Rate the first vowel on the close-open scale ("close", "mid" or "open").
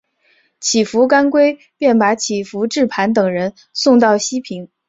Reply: close